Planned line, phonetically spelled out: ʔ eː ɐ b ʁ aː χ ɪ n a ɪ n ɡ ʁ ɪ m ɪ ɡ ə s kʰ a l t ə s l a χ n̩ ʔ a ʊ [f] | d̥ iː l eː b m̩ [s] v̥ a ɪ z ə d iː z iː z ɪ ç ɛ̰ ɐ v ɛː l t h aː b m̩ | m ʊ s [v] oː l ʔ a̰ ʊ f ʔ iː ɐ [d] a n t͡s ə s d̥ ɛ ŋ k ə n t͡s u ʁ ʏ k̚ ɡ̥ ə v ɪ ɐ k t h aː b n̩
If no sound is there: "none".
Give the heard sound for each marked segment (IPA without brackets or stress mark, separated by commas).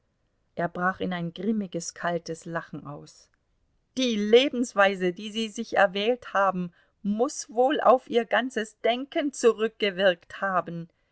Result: s, s, v, ɡ